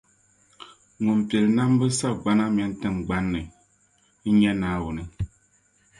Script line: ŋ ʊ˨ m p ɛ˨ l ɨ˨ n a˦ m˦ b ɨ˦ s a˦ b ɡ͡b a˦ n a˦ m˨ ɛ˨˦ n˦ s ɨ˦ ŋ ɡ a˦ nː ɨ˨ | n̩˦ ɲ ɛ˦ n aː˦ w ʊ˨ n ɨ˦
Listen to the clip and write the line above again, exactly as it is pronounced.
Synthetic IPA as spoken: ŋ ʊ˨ m p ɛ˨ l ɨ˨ n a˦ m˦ b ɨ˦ s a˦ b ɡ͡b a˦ n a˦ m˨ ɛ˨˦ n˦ t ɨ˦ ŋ ɡ͡b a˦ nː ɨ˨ | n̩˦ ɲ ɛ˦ n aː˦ w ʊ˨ n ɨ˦